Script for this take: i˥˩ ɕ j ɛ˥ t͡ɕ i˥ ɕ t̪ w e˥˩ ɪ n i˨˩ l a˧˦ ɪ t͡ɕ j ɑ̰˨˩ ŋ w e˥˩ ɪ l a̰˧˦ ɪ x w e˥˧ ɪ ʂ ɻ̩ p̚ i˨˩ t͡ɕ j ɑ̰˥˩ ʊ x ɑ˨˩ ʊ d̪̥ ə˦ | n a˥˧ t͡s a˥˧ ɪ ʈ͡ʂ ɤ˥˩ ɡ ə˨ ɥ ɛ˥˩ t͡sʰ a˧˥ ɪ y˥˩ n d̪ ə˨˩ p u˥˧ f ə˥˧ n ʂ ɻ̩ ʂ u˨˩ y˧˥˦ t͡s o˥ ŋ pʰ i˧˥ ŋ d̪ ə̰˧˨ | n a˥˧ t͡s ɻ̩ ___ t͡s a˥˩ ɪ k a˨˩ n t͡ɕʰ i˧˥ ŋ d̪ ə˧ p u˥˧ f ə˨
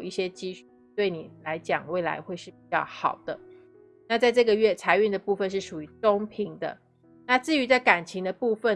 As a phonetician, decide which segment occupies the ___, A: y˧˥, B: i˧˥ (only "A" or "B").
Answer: A